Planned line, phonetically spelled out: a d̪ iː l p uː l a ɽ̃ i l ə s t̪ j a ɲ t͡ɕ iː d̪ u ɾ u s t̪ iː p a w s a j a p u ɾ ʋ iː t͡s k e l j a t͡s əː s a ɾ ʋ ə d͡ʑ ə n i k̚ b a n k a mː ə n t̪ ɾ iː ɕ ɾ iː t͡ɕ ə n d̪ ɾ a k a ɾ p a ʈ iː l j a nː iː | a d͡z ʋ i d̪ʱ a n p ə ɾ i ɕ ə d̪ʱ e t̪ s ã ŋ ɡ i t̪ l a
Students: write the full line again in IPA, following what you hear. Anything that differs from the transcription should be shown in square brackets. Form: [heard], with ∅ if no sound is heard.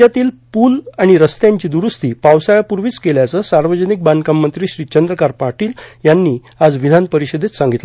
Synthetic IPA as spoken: a [t̪] iː l p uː l a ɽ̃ i [ɾ] ə s t̪ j a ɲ t͡ɕ iː d̪ u ɾ u s t̪ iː p a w s a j a p u ɾ ʋ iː t͡s k e l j a t͡s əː s a ɾ ʋ ə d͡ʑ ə n i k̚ b a n k a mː ə n t̪ ɾ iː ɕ ɾ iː t͡ɕ ə n d̪ ɾ [ə] k a ɾ p a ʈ iː l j a nː iː | a d͡z ʋ i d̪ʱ a n p ə ɾ i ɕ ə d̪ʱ e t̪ s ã ŋ ɡ i t̪ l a